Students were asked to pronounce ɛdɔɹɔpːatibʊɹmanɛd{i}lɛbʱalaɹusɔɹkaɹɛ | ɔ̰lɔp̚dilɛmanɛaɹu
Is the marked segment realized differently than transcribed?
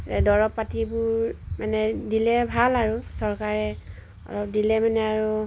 no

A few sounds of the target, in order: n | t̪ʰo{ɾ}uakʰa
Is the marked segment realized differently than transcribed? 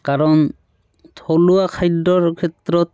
yes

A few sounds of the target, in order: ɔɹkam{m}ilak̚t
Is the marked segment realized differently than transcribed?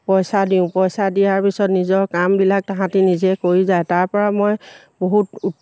yes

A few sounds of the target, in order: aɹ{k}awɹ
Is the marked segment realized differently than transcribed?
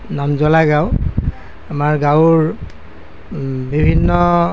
yes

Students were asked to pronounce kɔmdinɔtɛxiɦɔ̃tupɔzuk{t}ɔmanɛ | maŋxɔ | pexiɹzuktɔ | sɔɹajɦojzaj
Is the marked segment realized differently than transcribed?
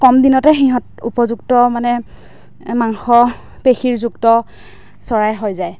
no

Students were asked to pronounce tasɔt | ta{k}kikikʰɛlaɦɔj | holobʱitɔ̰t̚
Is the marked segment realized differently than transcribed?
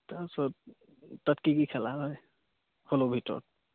yes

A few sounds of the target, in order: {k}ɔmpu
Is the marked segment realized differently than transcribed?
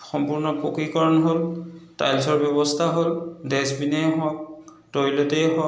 yes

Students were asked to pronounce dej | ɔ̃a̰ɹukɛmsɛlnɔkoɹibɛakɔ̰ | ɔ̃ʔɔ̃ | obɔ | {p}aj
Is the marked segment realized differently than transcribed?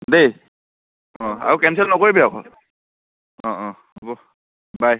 yes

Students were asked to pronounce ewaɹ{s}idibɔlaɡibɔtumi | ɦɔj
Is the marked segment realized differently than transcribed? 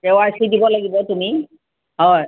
no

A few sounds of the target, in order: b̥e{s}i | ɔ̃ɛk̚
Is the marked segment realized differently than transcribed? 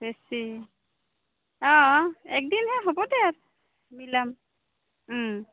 no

